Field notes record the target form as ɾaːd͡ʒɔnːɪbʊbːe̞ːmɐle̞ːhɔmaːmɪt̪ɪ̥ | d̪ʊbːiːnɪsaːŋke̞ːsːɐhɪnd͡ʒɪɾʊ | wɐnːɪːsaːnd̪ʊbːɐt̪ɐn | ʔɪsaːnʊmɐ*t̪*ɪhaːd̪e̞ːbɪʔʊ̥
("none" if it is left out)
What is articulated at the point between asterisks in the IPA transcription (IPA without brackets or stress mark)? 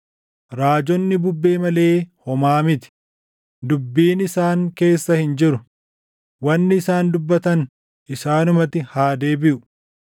t̪